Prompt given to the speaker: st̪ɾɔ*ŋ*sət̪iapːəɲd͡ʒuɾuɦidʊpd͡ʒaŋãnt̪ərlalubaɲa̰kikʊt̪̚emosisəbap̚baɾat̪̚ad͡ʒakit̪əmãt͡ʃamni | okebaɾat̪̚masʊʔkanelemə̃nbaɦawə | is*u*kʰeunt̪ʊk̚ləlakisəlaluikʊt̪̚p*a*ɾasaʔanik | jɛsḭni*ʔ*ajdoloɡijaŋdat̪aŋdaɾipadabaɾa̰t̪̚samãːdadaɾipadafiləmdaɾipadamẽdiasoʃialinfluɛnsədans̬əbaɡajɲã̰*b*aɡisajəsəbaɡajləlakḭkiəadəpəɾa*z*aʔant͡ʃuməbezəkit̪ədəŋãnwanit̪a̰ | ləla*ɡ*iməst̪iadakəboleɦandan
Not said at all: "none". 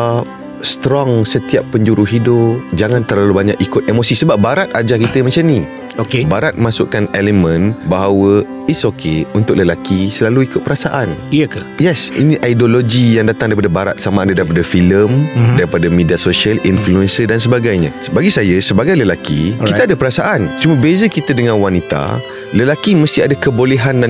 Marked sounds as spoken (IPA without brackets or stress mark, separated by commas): ŋ, o, ə, ʔ, b, s, k